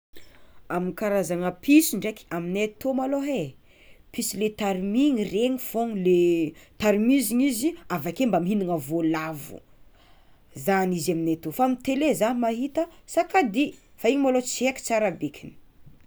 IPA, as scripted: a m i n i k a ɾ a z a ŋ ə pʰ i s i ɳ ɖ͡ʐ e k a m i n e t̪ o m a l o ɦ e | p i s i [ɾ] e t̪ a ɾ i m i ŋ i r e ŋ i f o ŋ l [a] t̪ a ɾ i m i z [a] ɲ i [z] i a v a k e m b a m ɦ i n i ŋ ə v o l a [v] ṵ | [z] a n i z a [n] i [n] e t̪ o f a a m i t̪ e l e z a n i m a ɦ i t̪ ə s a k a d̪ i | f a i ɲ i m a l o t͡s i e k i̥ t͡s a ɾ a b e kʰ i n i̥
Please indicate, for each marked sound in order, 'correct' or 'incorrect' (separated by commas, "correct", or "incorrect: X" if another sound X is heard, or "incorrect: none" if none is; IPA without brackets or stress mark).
incorrect: l, incorrect: e, incorrect: i, correct, correct, correct, incorrect: m, correct